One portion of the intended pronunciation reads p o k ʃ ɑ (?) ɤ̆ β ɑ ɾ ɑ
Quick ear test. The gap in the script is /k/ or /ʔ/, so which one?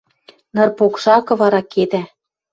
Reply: k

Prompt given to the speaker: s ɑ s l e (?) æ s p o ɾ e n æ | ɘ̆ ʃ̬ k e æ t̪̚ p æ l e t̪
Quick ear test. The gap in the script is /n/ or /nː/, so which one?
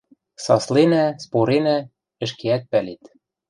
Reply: n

